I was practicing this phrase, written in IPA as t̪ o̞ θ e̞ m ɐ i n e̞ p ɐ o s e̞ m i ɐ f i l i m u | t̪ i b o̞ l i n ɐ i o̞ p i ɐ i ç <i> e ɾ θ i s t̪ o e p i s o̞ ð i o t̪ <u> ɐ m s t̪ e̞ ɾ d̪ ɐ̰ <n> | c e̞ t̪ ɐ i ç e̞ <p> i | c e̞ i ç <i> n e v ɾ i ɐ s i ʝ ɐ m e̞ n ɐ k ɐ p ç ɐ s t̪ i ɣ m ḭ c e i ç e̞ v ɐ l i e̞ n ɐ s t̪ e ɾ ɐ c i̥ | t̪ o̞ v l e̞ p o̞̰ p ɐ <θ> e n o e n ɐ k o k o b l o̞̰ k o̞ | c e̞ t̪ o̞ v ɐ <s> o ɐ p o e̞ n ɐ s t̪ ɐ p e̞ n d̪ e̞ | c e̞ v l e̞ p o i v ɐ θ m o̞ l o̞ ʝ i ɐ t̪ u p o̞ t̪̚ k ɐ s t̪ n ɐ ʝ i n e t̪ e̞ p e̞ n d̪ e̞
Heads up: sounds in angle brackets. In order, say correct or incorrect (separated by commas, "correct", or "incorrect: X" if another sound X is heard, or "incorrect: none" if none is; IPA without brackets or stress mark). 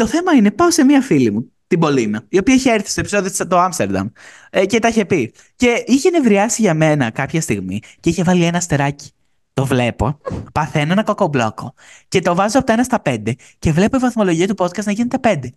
incorrect: e, incorrect: o, incorrect: m, correct, incorrect: e, correct, incorrect: z